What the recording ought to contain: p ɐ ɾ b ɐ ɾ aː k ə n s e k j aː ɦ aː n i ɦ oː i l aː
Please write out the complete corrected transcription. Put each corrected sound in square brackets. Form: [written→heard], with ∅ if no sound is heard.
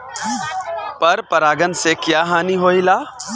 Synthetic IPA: p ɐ ɾ [b→p] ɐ ɾ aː [k→ɡ] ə n s e k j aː ɦ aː n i ɦ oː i l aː